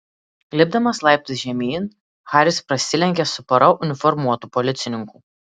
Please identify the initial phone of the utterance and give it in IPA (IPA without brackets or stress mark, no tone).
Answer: lʲ